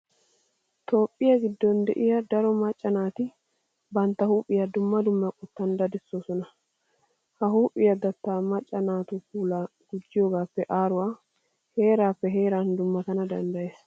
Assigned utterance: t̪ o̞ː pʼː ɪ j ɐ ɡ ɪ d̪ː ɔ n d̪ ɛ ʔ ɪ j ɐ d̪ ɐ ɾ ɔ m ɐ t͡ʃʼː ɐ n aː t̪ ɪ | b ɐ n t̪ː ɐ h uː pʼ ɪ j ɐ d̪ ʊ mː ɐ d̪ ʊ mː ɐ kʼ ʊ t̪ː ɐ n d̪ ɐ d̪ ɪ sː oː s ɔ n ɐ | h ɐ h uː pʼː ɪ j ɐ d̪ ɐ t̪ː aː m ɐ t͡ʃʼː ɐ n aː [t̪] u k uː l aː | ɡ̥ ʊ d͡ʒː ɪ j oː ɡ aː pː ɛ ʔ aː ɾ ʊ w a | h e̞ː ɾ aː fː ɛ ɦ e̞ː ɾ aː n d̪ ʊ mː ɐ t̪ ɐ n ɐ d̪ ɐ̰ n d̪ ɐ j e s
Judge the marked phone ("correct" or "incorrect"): correct